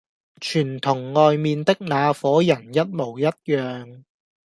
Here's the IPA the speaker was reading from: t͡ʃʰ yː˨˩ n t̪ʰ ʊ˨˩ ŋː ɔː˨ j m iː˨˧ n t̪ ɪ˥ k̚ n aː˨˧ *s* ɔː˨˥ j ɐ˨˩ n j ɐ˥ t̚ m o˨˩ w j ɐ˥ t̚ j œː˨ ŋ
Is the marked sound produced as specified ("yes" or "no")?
no